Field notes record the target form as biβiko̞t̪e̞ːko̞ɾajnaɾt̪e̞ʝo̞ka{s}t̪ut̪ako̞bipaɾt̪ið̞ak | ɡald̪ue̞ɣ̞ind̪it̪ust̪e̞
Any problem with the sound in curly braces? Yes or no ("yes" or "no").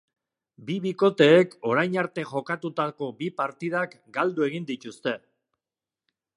yes